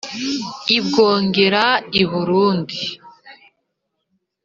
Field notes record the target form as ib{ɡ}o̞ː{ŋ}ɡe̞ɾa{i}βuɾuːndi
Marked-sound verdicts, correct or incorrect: correct, correct, correct

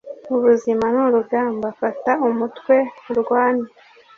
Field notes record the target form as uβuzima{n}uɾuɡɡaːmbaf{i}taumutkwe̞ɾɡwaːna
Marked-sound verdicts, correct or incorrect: correct, incorrect

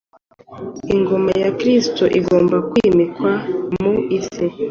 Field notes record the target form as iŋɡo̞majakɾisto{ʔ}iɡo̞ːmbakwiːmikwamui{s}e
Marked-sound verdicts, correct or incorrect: correct, correct

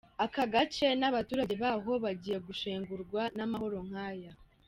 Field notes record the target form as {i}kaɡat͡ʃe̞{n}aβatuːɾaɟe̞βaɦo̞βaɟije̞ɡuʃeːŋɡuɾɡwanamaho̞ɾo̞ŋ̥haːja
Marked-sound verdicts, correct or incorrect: incorrect, correct

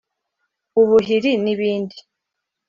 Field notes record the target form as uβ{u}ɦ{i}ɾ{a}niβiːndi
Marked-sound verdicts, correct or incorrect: correct, correct, incorrect

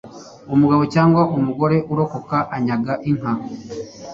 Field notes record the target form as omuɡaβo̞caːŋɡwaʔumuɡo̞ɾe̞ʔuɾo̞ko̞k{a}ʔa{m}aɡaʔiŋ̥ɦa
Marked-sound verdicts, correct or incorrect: correct, incorrect

